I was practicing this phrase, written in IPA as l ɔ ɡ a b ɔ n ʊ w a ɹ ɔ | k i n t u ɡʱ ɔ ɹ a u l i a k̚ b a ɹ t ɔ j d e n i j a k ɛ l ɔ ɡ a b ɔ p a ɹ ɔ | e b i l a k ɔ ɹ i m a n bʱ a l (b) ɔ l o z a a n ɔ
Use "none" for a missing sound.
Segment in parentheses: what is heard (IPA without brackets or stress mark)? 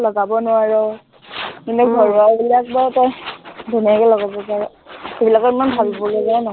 b